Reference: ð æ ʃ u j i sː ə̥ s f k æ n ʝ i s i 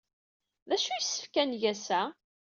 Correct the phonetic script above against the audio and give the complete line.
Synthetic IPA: ð æ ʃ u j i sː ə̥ f k æ n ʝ æ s æ

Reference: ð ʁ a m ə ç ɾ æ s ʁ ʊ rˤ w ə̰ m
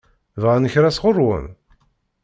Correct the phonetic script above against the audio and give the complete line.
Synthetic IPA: v ʁ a n ə ç ɾ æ s ʁ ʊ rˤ w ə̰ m

